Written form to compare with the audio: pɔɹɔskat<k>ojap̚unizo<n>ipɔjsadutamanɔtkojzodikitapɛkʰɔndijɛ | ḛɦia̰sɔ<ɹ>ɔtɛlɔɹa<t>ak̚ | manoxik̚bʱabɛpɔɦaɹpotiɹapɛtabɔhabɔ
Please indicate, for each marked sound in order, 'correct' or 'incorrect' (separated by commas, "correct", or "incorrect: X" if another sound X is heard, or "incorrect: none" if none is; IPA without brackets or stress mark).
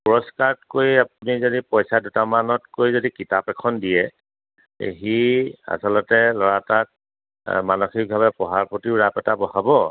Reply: correct, incorrect: d, incorrect: l, correct